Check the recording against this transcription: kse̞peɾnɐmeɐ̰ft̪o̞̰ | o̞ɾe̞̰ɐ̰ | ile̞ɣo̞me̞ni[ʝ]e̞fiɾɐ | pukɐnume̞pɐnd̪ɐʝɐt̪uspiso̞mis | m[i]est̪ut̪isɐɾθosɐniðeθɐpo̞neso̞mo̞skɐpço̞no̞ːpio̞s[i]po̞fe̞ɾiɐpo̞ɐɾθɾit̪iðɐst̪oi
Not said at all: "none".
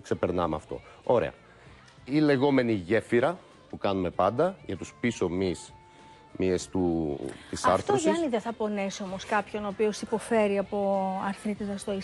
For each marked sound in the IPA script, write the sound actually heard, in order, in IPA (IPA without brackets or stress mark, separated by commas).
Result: ʝ, i, i